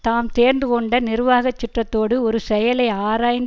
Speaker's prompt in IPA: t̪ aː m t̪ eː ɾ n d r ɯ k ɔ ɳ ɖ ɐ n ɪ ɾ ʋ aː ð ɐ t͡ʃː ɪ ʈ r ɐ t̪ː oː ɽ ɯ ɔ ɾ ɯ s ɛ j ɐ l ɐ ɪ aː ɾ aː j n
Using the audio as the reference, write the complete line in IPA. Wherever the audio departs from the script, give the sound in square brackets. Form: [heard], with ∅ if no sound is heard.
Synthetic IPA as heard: t̪ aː m t̪ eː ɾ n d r ɯ k ɔ ɳ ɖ ɐ n ɪ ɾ ʋ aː [ɣ] ɐ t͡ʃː ɪ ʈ r ɐ t̪ː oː ɽ ɯ ɔ ɾ ɯ s ɛ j ɐ l ɐ ɪ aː ɾ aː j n